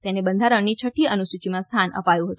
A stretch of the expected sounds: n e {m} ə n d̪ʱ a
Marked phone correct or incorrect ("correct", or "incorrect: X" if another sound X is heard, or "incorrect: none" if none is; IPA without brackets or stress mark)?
incorrect: b